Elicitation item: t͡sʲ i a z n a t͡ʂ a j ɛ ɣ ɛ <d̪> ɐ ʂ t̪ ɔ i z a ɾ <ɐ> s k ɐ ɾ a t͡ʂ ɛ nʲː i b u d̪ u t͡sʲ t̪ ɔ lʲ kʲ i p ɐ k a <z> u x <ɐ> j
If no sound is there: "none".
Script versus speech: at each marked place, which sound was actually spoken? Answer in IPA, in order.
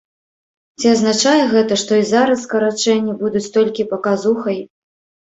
t̪, ɐ, z, ɐ

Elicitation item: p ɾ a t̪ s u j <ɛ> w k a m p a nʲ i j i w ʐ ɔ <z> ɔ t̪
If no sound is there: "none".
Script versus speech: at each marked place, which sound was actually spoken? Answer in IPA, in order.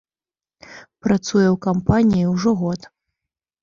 ɛ, ɣ

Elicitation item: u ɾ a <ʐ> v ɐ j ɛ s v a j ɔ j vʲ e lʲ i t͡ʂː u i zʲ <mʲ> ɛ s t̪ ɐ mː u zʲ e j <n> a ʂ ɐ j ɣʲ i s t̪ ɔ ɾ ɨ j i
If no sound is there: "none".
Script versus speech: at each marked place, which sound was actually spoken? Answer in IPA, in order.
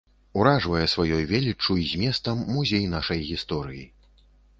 ʐ, mʲ, n

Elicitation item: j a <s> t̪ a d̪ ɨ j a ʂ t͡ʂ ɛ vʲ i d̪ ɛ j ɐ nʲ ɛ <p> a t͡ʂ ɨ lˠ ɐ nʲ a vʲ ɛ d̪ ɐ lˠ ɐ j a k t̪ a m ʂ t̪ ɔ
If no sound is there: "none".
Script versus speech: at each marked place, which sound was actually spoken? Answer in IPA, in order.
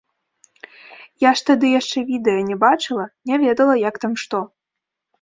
ʂ, b

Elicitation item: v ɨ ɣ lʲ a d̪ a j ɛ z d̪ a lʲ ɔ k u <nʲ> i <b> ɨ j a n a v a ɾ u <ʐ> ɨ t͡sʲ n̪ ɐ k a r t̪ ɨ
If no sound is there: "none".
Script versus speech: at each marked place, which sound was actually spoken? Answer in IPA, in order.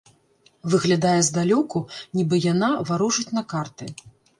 nʲ, b, ʐ

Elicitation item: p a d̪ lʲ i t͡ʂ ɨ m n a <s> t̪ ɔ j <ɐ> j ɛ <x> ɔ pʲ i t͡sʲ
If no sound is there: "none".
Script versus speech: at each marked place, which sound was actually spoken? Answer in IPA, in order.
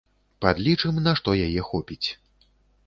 ʂ, a, x

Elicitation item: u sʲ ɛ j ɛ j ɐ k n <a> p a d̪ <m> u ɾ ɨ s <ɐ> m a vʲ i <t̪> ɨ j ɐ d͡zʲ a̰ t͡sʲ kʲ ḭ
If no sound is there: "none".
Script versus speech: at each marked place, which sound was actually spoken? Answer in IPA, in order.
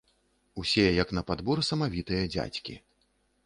ɐ, b, ɐ, t̪

